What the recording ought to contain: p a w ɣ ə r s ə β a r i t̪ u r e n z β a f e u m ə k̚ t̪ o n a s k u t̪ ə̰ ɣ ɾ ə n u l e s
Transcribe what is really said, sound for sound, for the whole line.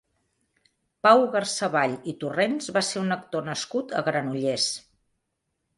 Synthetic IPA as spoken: p a w ɣ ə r s ə β a ʎ i t̪ u r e n z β a s e u n ə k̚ t̪ o n ə s k u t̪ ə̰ ɣ ɾ ə n u ʎ e s